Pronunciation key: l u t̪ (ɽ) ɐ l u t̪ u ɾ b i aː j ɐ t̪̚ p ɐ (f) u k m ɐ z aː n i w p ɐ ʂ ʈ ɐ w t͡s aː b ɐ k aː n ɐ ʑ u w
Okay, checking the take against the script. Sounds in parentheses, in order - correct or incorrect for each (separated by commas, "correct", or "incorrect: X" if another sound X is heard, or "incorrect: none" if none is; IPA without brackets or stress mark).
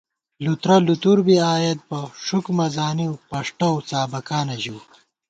incorrect: ɾ, incorrect: ʂ